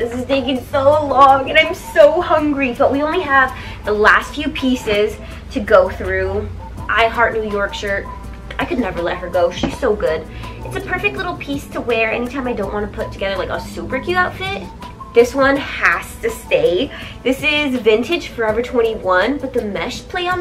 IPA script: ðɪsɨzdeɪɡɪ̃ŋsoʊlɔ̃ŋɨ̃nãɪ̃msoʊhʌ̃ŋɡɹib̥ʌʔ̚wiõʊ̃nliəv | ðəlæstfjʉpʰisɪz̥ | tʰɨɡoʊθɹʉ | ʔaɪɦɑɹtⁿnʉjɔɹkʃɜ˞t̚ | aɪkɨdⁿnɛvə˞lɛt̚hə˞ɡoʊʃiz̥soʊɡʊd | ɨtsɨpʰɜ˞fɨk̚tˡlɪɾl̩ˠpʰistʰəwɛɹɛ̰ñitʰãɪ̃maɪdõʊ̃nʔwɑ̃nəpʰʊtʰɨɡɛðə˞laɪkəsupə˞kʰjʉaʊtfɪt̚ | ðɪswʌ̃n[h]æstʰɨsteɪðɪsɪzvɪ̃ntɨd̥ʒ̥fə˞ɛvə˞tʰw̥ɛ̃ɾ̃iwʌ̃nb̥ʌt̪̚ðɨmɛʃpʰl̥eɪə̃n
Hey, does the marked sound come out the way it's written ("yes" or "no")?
yes